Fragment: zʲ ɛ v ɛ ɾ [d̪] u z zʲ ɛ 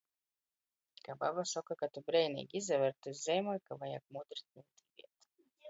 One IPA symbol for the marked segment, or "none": t̪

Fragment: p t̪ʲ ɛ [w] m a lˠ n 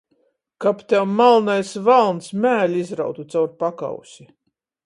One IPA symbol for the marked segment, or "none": w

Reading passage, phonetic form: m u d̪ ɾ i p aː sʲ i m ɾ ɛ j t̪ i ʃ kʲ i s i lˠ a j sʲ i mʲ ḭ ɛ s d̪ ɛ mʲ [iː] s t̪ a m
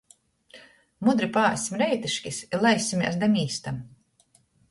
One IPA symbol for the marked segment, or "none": iː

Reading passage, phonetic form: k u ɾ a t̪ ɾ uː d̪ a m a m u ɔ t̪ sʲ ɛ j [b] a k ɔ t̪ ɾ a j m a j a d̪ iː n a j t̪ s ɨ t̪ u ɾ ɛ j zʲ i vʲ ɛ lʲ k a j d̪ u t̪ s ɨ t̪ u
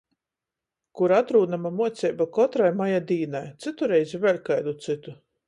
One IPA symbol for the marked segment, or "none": b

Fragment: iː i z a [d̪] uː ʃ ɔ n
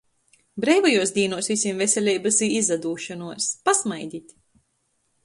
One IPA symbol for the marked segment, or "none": d̪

